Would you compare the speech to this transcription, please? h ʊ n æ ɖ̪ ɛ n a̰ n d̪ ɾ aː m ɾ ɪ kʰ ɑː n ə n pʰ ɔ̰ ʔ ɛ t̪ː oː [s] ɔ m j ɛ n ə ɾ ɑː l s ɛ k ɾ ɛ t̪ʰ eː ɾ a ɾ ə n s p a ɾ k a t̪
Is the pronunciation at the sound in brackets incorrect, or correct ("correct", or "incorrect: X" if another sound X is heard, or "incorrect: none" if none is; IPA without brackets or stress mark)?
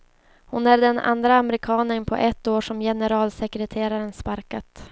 incorrect: ʂ